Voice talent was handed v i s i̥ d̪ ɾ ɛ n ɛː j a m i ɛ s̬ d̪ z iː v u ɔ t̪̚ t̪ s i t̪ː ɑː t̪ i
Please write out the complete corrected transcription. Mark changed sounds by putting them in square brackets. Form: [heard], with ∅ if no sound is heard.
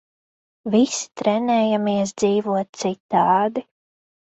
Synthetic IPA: v i s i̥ [t̪] ɾ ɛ n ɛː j a m i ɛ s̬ d̪ z iː v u ɔ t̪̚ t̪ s i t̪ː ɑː [d̪] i